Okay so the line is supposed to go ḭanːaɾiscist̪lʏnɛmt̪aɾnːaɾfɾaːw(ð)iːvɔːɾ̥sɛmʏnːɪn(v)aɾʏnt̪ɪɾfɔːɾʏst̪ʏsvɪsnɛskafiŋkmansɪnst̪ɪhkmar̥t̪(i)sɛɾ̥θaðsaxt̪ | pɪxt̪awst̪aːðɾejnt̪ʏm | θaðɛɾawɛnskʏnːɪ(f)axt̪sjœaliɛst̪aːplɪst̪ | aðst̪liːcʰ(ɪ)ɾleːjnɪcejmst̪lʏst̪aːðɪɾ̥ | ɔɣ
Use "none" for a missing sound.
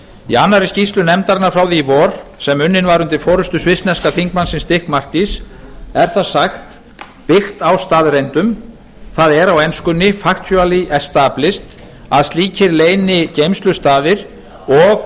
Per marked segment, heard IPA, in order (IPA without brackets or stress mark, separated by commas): ð, v, i, f, ɪ